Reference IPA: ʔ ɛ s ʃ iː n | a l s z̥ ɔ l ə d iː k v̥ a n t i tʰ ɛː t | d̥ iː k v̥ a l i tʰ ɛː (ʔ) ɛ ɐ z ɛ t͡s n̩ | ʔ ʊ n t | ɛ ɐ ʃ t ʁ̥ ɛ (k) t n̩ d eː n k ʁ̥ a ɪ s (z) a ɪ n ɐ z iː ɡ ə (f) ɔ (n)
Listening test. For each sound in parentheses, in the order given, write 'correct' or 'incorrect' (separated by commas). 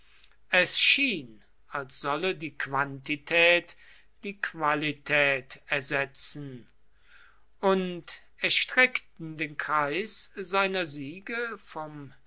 incorrect, correct, correct, correct, incorrect